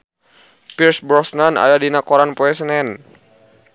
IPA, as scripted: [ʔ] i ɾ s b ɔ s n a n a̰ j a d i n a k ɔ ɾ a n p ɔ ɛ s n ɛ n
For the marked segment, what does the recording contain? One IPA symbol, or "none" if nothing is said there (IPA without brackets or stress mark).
p